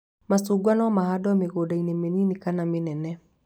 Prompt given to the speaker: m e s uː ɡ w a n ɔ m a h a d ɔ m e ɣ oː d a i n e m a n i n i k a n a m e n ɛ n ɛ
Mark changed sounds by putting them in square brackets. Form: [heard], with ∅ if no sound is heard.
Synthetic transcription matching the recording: m [a] s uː ɡ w a n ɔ m a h a d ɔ m e ɣ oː d a i n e m [e] n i n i k a n a m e n ɛ n ɛ

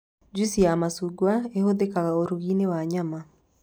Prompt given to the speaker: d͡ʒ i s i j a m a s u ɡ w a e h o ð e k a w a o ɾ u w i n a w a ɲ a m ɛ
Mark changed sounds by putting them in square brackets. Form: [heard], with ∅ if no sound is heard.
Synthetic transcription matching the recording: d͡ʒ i s i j a m a s u ɡ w a e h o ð e k a [ɣ] a o ɾ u [ɣ] i n [e] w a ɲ a m [a]

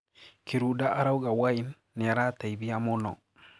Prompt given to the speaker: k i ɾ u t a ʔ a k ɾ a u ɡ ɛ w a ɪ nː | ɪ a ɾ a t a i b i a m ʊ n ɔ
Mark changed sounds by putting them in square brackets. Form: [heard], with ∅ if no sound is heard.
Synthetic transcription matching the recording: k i ɾ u [d] a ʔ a [∅] ɾ a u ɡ [a] w a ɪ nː | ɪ a ɾ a t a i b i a m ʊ n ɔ

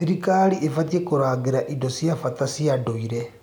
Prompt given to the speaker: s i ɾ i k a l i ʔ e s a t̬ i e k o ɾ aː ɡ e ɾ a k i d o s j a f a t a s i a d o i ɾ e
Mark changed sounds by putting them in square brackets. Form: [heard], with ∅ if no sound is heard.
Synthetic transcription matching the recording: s i ɾ i k a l i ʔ e [f] a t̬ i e k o ɾ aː ɡ e ɾ a [ʔ] i d o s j a f a t a s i a d o i ɾ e

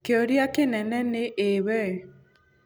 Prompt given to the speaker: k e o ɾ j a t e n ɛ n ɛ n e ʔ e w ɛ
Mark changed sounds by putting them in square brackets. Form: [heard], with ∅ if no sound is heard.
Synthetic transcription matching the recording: k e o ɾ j a [k] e n ɛ n ɛ n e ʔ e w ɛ

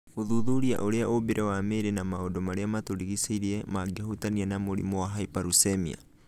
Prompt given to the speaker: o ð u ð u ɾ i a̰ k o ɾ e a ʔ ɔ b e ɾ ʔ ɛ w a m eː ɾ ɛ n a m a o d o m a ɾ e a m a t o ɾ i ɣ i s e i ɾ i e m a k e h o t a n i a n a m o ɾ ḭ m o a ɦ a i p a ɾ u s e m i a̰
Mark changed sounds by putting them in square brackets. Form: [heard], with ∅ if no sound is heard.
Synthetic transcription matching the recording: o ð u ð u ɾ i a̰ [ʔ] o ɾ e a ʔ [o] b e ɾ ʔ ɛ w a m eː ɾ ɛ n a m a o d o m a ɾ e a m a t o ɾ i ɣ i s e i ɾ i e m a [ɡ] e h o t a n i a n a m o ɾ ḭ m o a ɦ a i p a ɾ u s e m i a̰

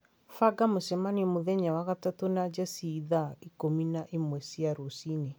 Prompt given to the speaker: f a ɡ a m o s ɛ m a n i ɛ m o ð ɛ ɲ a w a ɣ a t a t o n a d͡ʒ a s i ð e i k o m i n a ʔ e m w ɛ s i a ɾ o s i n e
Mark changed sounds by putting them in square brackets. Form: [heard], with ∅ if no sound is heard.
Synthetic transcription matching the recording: f a ɡ a m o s ɛ m a n i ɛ m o ð ɛ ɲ a w a ɣ a t a t o n a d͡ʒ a s i ð [a] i k o m i n a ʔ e m w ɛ s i a ɾ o s i n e

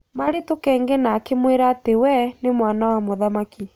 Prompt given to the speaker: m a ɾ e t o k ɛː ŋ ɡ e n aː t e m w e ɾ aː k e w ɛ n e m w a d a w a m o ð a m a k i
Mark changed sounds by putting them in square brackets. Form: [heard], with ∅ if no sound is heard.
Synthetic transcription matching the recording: m a ɾ e t o k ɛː ŋ ɡ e n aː [k] e m w e ɾ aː [t] e w ɛ n e m w a [n] a w a m o ð a m a k i

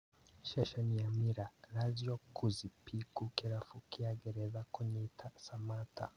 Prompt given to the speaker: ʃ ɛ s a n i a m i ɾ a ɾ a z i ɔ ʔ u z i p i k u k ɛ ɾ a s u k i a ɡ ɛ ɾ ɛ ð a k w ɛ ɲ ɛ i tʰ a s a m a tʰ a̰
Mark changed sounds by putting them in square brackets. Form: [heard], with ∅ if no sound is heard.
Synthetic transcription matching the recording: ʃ ɛ [ʃ] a n i a m i ɾ a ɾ a z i ɔ [k] u z i p i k u k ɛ ɾ a [f] u k i a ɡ ɛ ɾ ɛ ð a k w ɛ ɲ ɛ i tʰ a s a m a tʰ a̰

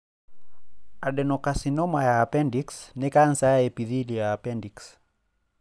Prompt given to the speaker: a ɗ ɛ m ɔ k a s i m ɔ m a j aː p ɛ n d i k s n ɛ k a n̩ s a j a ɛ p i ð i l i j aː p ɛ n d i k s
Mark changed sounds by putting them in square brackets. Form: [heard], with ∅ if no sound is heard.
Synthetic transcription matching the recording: a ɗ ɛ [n] ɔ k a s i [n] ɔ m a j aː p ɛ n d i k s n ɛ k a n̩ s a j a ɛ p i ð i l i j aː p ɛ n d i k s

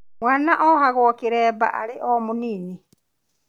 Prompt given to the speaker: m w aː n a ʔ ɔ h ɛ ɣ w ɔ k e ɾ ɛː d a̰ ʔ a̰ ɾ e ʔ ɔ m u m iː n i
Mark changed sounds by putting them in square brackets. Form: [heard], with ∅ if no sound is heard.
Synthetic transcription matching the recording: m w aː n a ʔ ɔ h [a] ɣ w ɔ k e ɾ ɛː [b] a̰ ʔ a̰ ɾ e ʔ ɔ m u [n] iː n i

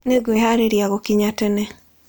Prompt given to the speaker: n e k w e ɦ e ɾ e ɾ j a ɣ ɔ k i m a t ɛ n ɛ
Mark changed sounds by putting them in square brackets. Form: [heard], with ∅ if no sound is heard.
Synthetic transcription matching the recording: n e [ɡ] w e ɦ [a] ɾ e ɾ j a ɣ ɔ k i [ɲ] a t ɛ n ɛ

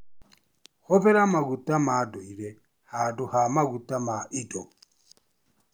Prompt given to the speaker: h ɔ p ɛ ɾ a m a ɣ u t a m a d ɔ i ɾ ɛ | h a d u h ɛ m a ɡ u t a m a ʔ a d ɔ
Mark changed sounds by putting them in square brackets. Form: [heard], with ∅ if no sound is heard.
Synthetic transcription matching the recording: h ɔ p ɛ ɾ a m a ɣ u t a m a d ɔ i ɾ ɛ | h a d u h [a] m a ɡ u t a m a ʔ [i] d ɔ

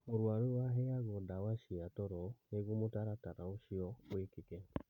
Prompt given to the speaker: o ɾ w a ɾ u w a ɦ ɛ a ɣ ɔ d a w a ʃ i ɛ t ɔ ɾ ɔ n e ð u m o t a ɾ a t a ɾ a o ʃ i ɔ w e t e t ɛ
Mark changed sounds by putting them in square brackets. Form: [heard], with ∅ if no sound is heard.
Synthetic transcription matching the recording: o ɾ w a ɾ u w a ɦ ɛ a ɣ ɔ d a w a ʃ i [a] t ɔ ɾ ɔ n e [ɣ] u m o t a ɾ a t a ɾ a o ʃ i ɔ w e [k] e [k] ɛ

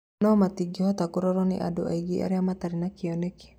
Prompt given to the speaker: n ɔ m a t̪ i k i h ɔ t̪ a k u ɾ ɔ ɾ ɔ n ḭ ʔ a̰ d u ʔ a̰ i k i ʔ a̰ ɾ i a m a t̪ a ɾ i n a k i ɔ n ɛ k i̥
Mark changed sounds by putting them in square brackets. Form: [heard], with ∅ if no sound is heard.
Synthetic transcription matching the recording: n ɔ m a t̪ i [ɡ] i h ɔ t̪ a k u ɾ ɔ ɾ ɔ n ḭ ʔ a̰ d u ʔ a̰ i [ɡ] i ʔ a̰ ɾ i a m a t̪ a ɾ i n a k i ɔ n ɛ k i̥

